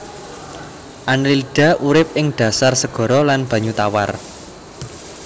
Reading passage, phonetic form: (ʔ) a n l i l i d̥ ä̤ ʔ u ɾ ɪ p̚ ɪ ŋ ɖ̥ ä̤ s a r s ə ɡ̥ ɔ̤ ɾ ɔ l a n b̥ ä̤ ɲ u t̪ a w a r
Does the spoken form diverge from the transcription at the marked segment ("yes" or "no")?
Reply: no